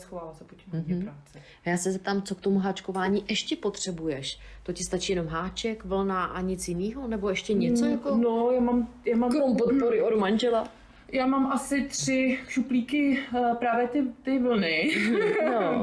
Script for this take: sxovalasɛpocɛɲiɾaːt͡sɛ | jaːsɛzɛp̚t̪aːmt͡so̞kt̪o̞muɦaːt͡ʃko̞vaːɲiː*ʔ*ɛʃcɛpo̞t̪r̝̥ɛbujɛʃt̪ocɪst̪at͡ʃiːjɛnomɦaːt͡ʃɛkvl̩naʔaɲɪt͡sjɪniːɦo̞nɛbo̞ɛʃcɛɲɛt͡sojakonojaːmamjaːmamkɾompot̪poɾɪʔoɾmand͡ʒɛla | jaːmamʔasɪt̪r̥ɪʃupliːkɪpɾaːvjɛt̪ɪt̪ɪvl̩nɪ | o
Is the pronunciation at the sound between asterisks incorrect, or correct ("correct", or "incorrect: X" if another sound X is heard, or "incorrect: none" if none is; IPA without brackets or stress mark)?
correct